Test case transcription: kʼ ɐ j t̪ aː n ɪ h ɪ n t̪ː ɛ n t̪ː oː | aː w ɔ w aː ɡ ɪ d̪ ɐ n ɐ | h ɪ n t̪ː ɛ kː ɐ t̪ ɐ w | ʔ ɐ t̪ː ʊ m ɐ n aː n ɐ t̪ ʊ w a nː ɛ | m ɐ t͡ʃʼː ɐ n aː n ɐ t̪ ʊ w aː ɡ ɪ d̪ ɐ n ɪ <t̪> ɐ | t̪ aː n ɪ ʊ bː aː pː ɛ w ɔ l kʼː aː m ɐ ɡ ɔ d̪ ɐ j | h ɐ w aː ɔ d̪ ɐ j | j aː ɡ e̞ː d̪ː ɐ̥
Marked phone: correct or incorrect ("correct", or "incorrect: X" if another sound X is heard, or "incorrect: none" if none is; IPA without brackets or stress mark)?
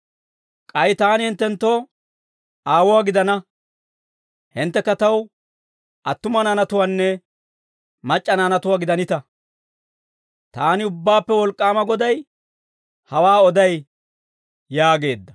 correct